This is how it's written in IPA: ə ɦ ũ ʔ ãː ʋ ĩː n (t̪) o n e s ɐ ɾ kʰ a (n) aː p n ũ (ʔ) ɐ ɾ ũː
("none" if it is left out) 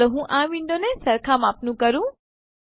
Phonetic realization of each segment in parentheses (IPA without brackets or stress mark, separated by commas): d̪, m, k